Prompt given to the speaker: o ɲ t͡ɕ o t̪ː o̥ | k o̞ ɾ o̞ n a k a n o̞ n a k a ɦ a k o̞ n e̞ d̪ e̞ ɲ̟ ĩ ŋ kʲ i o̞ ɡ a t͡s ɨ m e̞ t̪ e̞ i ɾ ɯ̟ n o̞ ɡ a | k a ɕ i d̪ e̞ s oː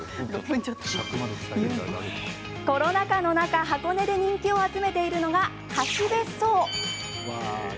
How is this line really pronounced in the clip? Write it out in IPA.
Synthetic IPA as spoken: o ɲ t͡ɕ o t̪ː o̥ | k o̞ ɾ o̞ n a k a n o̞ n a k a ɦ a k o̞ n e̞ d̪ e̞ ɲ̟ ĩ ŋ kʲ i o̞ a t͡s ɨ m e̞ t̪ e̞ i ɾ ɯ̟ n o̞ ɡ a | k a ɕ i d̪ e̞ s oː

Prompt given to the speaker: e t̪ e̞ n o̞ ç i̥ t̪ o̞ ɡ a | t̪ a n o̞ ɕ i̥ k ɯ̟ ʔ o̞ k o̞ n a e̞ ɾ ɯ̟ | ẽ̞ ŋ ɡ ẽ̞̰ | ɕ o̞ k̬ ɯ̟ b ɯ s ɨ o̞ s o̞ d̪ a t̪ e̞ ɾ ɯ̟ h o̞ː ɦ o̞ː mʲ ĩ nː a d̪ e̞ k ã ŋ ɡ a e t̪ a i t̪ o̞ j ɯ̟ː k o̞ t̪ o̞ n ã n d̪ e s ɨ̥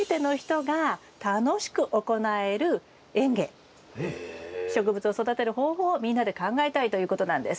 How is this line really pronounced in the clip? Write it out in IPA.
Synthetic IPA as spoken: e t̪ e̞ n o̞ ç i̥ t̪ o̞ ɡ a | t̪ a n o̞ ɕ i̥ k ɯ̟ ʔ o̞ k o̞ n a e̞ ɾ ɯ̟ | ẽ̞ ŋ ɡ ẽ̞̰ | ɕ o̞ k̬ ɯ̟ b ɯ t͡s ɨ o̞ s o̞ d̪ a t̪ e̞ ɾ ɯ̟ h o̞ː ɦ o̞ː mʲ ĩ nː a d̪ e̞ k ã ŋ ɡ a e t̪ a i t̪ o̞ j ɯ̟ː k o̞ t̪ o̞ n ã n d̪ e s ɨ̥

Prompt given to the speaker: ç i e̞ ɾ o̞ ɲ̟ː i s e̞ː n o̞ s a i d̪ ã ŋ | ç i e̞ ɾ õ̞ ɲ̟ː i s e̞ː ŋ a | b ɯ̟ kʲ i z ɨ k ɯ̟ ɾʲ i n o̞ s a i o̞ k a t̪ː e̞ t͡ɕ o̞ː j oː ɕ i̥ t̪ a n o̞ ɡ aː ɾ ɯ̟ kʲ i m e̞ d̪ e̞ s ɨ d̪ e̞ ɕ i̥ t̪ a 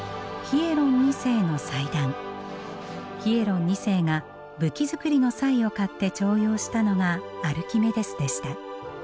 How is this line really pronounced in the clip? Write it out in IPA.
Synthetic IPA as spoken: ç i e̞ ɾ õ̞ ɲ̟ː i s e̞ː n o̞ s a i d̪ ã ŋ | ç i e̞ ɾ õ̞ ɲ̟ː i s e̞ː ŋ a | b ɯ̟ kʲ i z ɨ k ɯ̟ ɾʲ i n o̞ s a i o̞ k a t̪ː e̞ t͡ɕ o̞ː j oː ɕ i̥ t̪ a n o̞ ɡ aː ɾ ɯ̟ kʲ i m e̞ d̪ e̞ s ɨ d̪ e̞ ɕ i̥ t̪ a

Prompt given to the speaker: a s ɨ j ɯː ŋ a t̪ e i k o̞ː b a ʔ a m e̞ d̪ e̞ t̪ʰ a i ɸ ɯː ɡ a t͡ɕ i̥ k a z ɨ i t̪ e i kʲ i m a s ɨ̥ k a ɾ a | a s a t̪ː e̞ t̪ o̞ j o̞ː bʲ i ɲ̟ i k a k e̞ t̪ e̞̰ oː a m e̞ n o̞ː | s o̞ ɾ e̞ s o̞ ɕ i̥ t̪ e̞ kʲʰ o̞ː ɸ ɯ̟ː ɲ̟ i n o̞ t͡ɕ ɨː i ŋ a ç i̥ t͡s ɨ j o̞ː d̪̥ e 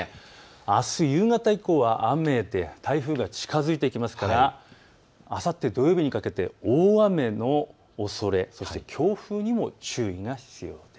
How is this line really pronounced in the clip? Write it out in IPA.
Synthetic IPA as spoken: a s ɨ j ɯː ŋ a t̪ a i k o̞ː β a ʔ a m e̞ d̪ e̞ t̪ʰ a i ɸ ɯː ɡ a t͡ɕ i̥ k a z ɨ i t̪ e i kʲ i m a s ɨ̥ k a ɾ a | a s a t̪ː e̞ d̪ o̞ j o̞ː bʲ i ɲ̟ i k a k e̞ t̪ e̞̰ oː a m e̞ n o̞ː | s o̞ ɾ e̞ s o̞ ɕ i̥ t̪ e̞ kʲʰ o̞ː ɸ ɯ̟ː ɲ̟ i m o̞ t͡ɕ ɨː i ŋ a ç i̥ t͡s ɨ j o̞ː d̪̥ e

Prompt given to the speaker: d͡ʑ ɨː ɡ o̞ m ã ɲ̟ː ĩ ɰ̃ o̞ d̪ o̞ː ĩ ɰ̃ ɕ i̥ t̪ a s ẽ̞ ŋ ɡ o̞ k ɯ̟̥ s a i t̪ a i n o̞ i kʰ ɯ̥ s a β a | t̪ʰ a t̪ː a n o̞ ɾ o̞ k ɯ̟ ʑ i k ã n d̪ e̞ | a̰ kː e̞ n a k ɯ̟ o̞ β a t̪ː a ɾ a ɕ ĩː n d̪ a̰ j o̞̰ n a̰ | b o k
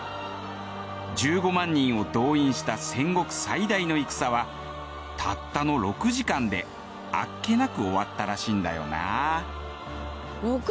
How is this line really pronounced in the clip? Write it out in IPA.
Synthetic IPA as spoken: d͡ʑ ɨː ɡ o̞ m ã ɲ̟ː ĩ ɰ̃ o̞ d̪ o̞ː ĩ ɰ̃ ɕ i̥ t̪ a s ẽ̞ ŋ ɡ o̞ k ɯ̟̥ s a i d̪ a i n o̞ i k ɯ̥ s a β a | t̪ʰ a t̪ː a n o̞ ɾ o̞ k ɯ̟ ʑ i k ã n d̪ e̞ | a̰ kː e̞ n a k ɯ̟ o̞ β a t̪ː a ɾ a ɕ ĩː n d̪ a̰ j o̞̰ n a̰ | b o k

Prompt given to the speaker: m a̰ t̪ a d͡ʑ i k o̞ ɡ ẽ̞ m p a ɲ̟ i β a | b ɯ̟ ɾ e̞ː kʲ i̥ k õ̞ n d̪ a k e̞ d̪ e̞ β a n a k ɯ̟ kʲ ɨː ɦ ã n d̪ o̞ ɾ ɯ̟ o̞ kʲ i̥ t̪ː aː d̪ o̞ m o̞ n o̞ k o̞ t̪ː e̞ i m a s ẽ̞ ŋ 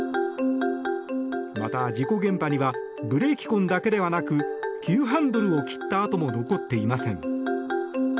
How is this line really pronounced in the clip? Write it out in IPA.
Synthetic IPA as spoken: m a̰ t̪ a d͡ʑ i k o̞ ɡ ẽ̞ m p a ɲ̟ i β a | b ɯ̟ ɾ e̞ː kʲ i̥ k õ̞ n d̪ a k e̞ d̪ e̞ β a n a k ɯ̟ kʲ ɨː ɦ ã n d̪ o̞ ɾ ɯ̟ o̞ kʲ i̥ t̪ː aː t̪ o̞ m o̞ n o̞ k o̞ t̪ː e̞ i m a s ẽ̞ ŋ

